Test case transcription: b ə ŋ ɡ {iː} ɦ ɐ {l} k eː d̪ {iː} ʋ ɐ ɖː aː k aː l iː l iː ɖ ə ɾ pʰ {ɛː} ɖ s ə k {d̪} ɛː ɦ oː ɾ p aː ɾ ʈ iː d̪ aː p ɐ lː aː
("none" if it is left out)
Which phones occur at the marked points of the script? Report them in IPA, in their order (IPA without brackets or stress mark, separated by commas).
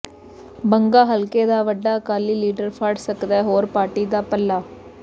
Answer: aː, l, aː, aː, d̪